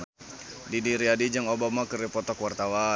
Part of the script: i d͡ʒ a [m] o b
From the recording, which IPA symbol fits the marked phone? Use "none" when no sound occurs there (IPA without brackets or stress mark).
ŋ